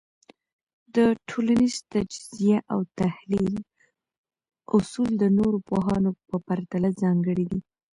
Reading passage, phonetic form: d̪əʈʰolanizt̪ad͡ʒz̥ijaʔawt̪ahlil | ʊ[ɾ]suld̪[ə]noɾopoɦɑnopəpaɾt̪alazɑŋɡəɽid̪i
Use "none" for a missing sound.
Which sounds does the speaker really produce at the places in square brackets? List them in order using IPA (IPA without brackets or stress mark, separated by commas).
none, ə